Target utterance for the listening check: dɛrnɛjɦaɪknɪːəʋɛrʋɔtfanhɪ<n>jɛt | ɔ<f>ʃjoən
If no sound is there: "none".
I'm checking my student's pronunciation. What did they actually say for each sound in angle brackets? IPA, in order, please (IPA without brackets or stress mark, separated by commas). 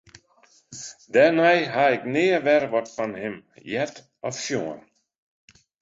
m, f